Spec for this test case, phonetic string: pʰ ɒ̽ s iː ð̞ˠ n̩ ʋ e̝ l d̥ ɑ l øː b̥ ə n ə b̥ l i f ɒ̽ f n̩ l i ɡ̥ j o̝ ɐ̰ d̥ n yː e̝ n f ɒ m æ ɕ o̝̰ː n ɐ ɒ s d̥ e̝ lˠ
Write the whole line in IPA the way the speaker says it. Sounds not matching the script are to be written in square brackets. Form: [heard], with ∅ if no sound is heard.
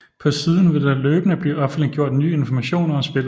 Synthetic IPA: pʰ ɒ̽ s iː ð̞ˠ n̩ ʋ e̝ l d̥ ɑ l øː b̥ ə n ə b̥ l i [∅] ɒ̽ f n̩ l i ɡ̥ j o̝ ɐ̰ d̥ n yː e̝ n f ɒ m æ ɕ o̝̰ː n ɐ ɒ s [b̥] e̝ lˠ

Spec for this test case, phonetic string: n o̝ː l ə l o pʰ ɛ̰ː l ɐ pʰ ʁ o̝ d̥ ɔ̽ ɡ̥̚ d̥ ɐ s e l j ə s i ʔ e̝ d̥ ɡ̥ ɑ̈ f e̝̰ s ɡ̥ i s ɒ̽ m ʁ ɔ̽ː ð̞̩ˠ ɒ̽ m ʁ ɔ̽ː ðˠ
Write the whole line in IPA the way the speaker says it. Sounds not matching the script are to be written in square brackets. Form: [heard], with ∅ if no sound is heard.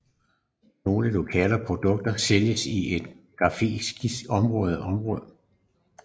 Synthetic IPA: n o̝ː l ə l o [kʰ] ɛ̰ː l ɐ pʰ ʁ o̝ d̥ ɔ̽ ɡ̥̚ d̥ ɐ s e l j ə s i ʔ e̝ d̥ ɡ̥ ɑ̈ f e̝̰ s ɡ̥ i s ɒ̽ m ʁ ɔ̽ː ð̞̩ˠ ɒ̽ m ʁ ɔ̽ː ðˠ

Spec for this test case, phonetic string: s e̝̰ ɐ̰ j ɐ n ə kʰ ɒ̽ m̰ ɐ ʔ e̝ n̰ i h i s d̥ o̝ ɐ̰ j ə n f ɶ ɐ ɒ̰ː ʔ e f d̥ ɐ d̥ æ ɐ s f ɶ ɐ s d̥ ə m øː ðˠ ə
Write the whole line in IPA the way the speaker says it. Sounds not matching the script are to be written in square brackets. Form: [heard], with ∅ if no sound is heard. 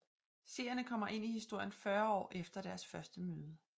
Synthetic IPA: s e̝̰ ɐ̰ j ɐ n ə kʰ ɒ̽ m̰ ɐ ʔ e̝ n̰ i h i s d̥ o̝ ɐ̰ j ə n f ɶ ɐ ɒ̰ː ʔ e f d̥ ɐ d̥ æ ɐ s f ɶ ɐ s d̥ ə m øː ðˠ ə

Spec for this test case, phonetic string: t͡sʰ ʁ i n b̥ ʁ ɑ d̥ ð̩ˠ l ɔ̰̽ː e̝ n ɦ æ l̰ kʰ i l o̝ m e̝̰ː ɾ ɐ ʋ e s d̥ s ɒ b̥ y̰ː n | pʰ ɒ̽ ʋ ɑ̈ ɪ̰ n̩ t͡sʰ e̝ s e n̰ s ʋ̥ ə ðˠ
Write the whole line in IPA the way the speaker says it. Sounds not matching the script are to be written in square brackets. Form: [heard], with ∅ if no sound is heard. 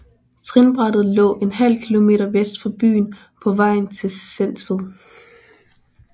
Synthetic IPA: t͡sʰ ʁ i n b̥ ʁ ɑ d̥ ð̩ˠ l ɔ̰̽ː e̝ n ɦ æ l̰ kʰ i l o̝ m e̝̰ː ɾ ɐ ʋ e s d̥ [f] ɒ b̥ y̰ː n | pʰ ɒ̽ ʋ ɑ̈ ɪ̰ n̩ t͡sʰ e̝ s e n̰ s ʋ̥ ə ðˠ

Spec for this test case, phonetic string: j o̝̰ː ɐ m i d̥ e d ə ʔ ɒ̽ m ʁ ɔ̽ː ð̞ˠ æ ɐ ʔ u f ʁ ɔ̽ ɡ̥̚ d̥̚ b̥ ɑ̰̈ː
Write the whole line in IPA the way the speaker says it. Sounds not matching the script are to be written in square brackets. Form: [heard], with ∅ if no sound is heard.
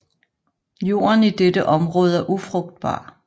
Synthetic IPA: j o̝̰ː ɐ [n] i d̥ e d ə ʔ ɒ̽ m ʁ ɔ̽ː ð̞ˠ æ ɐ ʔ u f ʁ ɔ̽ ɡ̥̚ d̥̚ b̥ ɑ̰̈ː

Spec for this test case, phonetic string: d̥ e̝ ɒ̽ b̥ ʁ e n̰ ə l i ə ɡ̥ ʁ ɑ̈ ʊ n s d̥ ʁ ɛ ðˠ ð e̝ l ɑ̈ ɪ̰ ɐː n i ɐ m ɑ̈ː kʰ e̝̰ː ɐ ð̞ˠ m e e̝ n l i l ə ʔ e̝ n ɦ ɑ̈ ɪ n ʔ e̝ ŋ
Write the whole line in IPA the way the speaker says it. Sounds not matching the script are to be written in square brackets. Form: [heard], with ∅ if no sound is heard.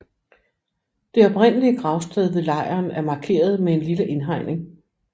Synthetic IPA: d̥ e̝ ɒ̽ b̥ ʁ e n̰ ə l i ə ɡ̥ ʁ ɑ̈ ʊ [∅] s d̥ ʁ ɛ ðˠ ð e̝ l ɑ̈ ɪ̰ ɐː n [æ] ɐ m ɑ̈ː kʰ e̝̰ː ɐ ð̞ˠ m e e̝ n l i l ə ʔ e̝ n ɦ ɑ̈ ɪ n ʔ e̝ ŋ

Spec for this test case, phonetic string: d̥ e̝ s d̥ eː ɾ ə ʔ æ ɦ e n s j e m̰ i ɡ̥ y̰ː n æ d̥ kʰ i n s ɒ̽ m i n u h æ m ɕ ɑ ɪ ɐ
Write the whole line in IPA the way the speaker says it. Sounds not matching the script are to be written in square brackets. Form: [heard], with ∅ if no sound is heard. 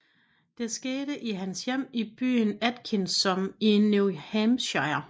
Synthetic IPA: d̥ e̝ s [ɡ̥] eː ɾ ə ʔ [i] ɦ [æ] n s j e m̰ i [b̥] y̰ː n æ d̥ kʰ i n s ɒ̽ m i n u h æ m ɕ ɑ ɪ ɐ

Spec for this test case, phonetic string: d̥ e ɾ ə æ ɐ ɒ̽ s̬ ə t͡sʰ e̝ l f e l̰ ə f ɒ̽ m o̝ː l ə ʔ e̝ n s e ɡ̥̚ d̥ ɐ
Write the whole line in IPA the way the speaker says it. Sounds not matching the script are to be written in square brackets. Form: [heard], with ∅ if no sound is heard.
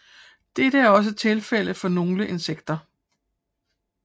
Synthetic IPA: d̥ e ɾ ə æ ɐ ɒ̽ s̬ ə t͡sʰ e̝ l f e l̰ ə f ɒ̽ [n] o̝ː l ə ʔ e̝ n s e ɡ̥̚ d̥ ɐ

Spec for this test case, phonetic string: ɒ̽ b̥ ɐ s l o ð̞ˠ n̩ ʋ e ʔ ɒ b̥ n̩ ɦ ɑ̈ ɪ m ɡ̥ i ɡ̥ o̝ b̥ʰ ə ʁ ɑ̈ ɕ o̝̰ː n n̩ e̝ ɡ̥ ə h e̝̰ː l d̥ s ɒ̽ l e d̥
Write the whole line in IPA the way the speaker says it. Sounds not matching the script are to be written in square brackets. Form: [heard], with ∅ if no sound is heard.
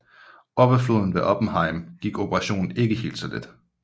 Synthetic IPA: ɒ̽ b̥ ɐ [f] l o ð̞ˠ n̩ ʋ e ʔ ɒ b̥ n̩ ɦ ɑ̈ ɪ m ɡ̥ i ɡ̥ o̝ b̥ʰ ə ʁ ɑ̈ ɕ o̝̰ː n n̩ e̝ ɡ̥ ə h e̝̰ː l d̥ s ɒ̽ l e d̥

